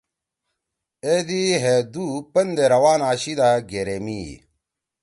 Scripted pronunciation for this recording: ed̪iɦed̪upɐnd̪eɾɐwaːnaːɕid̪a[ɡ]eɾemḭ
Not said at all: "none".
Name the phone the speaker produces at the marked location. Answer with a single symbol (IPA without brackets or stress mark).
ɡ